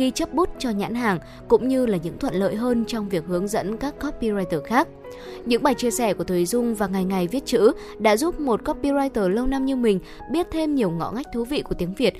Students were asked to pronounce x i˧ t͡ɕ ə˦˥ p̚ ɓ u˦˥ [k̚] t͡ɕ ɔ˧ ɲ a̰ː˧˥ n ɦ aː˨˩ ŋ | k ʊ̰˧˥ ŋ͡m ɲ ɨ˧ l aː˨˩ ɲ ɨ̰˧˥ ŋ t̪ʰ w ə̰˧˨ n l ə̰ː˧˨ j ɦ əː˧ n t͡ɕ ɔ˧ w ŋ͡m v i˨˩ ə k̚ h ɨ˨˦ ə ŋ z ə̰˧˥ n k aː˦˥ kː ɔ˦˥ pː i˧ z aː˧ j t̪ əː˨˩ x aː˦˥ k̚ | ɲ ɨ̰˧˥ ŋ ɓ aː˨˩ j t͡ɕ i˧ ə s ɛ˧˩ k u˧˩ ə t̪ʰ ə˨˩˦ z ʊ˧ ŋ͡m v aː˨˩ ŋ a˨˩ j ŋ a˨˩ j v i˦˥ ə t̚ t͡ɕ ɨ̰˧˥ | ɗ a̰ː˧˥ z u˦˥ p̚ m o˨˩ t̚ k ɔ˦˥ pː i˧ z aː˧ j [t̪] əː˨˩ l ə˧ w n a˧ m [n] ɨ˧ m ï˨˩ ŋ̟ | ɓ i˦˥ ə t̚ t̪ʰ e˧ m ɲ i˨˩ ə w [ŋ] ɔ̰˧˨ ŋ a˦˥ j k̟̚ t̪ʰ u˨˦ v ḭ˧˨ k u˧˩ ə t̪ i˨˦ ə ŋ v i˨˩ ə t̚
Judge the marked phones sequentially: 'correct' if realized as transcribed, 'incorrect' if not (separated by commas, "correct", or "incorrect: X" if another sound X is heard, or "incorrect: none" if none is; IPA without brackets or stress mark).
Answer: incorrect: t̚, correct, incorrect: ɲ, correct